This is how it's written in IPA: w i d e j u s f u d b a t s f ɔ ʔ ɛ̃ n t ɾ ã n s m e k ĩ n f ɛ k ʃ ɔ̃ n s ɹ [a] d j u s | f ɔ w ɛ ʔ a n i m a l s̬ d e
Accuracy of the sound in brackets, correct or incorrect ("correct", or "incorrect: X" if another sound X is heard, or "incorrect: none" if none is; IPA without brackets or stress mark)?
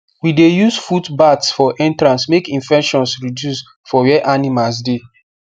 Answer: incorrect: i